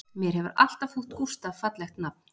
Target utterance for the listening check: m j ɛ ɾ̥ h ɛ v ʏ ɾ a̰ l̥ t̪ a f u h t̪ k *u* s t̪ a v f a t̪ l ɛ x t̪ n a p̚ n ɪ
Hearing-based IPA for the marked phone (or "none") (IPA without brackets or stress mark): u